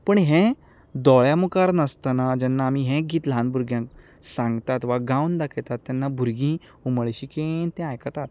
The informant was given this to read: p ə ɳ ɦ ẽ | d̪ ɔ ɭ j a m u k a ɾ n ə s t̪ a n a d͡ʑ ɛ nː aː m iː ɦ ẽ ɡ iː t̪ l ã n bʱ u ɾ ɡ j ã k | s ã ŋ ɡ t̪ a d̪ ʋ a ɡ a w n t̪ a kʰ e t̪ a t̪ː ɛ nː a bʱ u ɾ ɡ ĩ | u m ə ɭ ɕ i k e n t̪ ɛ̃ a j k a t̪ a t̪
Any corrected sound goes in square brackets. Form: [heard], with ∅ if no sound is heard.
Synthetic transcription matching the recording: p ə ɳ ɦ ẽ | d̪ ɔ ɭ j a m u k a ɾ n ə s t̪ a n a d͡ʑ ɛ nː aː m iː ɦ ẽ ɡ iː t̪ l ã n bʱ u ɾ ɡ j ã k | s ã ŋ ɡ t̪ a [t̪] ʋ a ɡ a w n [d̪] a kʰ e t̪ a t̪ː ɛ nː a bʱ u ɾ ɡ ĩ | u m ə ɭ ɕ i k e n t̪ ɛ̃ a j k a t̪ a t̪